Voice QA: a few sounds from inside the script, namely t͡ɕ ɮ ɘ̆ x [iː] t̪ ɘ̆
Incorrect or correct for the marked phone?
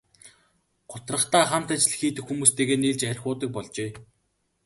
correct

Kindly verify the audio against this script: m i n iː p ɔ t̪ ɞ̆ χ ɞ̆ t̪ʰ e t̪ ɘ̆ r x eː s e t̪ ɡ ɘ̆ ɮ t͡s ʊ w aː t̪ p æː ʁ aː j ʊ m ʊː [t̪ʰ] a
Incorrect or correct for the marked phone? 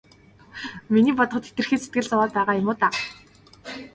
incorrect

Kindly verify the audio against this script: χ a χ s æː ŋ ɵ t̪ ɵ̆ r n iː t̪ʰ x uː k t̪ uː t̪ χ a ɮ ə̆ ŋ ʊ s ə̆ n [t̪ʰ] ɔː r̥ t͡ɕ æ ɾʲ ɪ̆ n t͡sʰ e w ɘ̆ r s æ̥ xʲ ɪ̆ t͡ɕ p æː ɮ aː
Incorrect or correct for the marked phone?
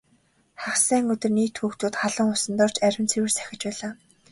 incorrect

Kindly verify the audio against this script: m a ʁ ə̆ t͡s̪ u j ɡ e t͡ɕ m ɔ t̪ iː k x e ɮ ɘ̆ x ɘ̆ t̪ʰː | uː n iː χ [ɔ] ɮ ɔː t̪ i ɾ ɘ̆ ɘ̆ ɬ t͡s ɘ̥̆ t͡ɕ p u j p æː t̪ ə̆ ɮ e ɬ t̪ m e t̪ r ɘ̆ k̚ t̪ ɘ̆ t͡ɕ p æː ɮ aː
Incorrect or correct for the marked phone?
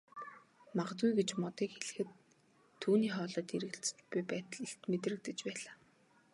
incorrect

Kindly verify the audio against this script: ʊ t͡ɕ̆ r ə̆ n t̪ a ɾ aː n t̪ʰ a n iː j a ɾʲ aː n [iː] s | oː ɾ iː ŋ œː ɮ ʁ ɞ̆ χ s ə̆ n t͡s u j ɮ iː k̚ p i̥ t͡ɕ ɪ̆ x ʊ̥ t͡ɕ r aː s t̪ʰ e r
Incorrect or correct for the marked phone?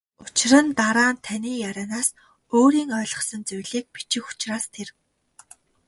incorrect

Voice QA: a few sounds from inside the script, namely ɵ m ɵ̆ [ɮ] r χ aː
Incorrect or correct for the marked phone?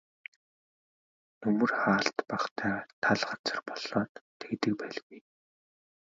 incorrect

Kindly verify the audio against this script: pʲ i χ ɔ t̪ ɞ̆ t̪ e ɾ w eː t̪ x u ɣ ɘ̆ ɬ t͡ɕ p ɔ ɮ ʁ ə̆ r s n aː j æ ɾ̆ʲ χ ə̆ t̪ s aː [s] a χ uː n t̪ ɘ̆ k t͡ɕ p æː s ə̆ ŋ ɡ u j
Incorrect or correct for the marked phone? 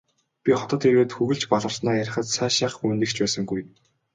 incorrect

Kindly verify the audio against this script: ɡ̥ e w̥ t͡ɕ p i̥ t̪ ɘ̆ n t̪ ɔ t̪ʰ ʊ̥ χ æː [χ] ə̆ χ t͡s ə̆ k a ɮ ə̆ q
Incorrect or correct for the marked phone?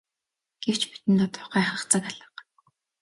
correct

